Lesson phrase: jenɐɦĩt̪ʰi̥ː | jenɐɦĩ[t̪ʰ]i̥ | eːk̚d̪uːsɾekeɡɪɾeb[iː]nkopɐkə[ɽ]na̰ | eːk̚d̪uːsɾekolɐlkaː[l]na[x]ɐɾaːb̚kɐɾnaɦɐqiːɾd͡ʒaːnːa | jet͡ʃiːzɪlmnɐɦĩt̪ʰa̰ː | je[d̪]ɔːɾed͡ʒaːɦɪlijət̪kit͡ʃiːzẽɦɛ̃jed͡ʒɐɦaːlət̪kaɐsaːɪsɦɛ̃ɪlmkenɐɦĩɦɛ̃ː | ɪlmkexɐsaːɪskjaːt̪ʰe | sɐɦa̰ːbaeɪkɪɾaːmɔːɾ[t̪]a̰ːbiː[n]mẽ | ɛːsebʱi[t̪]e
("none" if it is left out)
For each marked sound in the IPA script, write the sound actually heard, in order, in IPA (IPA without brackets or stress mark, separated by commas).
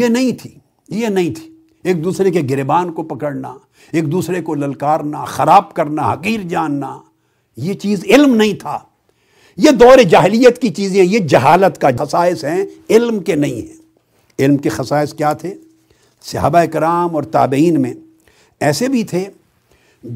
t̪ʰ, aː, ɽ, ɾ, x, d̪, t̪, n, t̪ʰ